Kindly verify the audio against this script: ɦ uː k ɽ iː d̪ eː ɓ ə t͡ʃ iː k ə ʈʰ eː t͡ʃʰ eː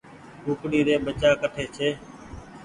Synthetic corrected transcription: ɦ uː k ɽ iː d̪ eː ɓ ə t͡ʃ aː k ə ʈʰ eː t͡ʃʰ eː